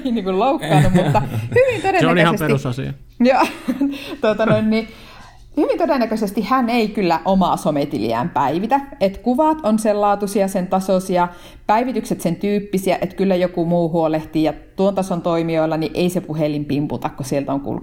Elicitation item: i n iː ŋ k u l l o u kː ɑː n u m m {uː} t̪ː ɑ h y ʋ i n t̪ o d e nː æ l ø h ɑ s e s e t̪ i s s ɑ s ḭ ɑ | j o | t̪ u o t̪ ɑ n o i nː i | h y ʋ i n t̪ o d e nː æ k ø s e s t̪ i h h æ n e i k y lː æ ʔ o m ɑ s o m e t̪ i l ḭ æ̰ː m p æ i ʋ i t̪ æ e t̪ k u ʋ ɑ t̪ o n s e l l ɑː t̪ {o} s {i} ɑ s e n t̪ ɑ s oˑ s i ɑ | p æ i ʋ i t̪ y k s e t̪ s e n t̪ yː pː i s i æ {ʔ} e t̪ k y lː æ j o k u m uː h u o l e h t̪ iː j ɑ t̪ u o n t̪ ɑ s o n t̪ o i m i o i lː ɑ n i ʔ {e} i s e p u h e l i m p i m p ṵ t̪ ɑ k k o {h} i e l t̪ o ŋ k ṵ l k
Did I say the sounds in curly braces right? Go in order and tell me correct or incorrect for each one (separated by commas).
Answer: incorrect, incorrect, correct, correct, correct, incorrect